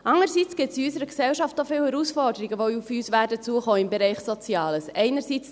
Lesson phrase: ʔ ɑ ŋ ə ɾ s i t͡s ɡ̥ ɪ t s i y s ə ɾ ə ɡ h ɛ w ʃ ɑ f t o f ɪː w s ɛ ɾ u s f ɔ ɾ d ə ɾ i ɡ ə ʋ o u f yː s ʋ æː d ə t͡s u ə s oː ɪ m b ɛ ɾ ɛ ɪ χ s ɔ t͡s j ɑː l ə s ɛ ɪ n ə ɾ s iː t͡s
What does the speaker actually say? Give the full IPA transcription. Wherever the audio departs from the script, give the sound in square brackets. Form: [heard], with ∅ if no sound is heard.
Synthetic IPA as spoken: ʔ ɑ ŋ ə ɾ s i t͡s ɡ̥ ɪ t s i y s ə ɾ ə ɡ [s] ɛ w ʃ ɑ f t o f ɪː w [h] ɛ ɾ u s f ɔ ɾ d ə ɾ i ɡ ə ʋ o u f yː s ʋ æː d ə t͡s u ə [χ] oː ɪ m b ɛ ɾ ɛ ɪ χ s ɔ t͡s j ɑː l ə s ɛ ɪ n ə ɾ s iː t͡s